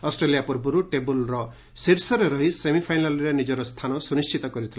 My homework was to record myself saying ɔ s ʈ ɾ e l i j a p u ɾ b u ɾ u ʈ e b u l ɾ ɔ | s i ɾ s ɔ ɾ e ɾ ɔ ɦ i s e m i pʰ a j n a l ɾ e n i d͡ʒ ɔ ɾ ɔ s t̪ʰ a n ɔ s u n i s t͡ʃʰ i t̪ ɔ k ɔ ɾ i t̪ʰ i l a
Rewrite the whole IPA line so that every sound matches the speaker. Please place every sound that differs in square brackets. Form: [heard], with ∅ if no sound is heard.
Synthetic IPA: ɔ s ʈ ɾ e l i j a p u ɾ b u ɾ u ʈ e b u l ɾ ɔ | s i ɾ s ɔ ɾ e ɾ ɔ ɦ i s e m i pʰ a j n a l ɾ e n i d͡ʒ ɔ ɾ ɔ s t̪ʰ a n ɔ s u n i s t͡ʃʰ i t̪ ɔ k ɔ ɾ i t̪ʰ i l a